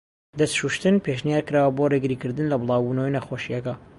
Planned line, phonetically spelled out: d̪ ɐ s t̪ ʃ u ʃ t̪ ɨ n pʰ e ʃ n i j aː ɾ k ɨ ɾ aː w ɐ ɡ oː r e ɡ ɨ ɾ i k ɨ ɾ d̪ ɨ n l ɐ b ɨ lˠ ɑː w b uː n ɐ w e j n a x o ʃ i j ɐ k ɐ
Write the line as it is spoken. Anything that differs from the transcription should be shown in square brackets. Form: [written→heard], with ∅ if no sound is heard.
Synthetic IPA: d̪ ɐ s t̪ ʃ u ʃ t̪ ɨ n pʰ e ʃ n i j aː ɾ k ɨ ɾ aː w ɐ [ɡ→b] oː r e ɡ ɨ ɾ i k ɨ ɾ d̪ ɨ n l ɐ b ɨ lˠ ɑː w b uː n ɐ w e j n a x o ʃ i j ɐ k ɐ